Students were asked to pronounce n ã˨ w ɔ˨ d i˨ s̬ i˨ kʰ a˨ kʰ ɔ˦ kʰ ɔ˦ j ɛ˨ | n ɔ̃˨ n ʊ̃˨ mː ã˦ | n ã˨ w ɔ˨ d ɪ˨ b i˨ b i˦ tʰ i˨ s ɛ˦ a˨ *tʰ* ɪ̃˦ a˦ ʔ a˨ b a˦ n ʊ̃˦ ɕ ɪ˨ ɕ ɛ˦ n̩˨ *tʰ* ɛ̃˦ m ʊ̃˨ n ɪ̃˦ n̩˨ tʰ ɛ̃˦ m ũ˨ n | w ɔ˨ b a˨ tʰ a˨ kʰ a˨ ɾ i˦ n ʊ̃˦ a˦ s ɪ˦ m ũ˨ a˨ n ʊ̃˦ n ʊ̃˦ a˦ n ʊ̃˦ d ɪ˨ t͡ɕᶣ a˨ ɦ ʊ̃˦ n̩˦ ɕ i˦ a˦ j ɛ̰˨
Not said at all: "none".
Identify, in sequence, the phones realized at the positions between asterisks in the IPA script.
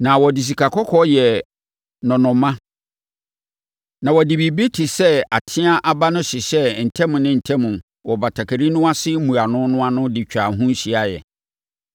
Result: tʰ, tʰ

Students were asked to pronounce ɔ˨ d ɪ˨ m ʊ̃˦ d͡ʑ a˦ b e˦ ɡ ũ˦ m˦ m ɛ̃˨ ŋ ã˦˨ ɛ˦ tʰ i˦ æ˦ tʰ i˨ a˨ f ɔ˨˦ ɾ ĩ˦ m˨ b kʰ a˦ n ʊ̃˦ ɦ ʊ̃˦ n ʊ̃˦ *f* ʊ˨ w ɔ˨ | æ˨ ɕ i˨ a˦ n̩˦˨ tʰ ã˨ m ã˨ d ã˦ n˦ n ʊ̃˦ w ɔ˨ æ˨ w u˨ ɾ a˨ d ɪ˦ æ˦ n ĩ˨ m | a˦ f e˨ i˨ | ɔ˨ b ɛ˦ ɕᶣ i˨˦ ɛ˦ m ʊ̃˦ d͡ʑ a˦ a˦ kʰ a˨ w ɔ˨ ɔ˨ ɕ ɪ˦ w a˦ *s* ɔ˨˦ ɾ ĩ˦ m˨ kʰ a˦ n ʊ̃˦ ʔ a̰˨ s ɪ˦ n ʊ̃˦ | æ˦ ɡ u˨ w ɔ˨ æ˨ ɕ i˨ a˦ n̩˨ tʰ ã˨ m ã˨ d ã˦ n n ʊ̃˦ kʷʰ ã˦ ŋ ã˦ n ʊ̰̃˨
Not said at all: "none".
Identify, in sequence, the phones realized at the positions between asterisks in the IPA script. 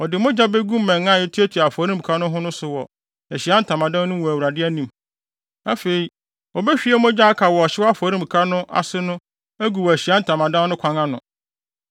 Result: s, f

